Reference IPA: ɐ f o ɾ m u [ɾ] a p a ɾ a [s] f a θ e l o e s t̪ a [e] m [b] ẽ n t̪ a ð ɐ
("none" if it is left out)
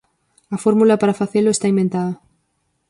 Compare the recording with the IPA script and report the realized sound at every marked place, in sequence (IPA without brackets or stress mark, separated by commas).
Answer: l, none, i, b